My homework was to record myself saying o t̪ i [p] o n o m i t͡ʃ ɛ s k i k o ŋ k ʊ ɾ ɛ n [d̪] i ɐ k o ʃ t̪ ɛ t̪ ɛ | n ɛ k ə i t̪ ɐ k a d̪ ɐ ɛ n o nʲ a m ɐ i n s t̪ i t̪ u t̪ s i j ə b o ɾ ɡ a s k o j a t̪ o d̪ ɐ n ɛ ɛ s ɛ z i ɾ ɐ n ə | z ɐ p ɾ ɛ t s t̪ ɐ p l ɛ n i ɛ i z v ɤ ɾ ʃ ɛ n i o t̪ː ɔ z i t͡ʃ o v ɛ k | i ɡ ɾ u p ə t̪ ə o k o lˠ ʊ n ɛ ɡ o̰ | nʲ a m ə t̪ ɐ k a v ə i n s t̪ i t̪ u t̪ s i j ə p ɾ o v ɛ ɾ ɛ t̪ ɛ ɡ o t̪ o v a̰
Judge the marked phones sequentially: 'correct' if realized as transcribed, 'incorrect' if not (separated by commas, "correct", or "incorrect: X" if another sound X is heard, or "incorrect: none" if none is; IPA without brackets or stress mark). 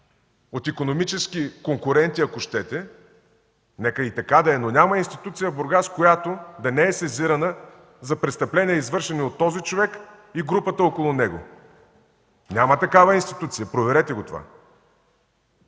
incorrect: k, incorrect: t̪